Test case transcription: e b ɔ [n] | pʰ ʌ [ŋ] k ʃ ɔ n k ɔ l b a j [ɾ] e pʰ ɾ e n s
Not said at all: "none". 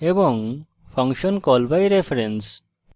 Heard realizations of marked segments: ŋ, ŋ, ɾ

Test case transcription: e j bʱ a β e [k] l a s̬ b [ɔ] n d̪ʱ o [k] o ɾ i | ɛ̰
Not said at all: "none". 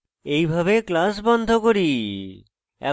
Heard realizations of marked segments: k, ɔ, k

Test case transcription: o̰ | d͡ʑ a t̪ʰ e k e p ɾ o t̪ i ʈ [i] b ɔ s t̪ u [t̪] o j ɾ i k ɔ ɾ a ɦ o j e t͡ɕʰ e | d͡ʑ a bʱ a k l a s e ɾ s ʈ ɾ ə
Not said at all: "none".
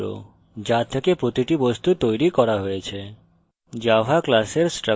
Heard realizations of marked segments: i, t̪

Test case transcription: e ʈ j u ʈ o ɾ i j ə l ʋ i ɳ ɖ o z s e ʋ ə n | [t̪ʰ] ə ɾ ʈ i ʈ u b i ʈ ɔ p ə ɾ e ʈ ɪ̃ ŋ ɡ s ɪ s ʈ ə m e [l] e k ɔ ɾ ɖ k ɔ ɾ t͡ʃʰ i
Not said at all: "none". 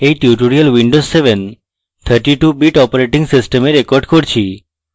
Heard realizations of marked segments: t̪ʰ, ɾ

